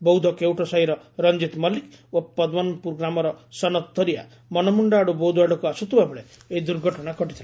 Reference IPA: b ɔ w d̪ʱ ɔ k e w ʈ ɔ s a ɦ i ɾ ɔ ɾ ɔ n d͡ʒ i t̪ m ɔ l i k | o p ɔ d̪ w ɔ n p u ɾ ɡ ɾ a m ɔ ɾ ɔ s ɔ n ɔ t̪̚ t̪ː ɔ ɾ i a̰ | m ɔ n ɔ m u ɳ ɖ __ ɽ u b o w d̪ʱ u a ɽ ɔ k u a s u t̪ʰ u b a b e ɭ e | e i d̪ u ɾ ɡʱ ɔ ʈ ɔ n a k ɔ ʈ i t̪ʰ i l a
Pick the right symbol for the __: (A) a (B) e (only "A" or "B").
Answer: A